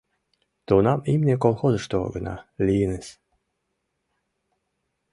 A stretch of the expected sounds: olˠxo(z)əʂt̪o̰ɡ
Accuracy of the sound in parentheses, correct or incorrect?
correct